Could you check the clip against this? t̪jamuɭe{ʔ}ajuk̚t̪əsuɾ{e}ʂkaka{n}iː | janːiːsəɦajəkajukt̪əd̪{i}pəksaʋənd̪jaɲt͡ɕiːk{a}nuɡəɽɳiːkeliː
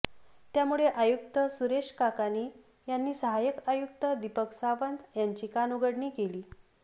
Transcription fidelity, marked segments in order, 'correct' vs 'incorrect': correct, correct, correct, correct, correct

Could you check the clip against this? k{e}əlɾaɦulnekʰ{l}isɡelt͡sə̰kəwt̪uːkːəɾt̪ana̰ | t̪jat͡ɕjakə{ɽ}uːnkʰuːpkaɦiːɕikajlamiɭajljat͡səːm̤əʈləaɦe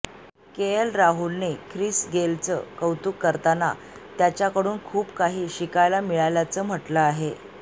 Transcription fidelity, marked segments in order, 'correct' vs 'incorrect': correct, incorrect: ɾ, correct

